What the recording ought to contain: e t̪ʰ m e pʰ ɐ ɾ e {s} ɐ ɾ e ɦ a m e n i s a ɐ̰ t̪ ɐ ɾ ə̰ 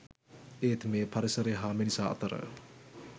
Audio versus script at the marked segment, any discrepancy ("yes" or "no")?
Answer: no